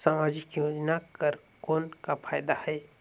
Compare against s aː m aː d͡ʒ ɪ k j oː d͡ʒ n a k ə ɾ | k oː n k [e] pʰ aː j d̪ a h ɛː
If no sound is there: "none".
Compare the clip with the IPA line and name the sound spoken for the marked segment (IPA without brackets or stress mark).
a